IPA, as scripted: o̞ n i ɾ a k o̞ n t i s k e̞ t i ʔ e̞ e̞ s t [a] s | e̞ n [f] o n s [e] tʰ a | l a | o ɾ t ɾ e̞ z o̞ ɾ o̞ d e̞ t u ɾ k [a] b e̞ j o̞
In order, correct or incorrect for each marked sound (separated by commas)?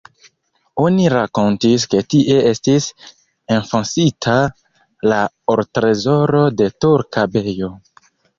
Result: incorrect, correct, incorrect, correct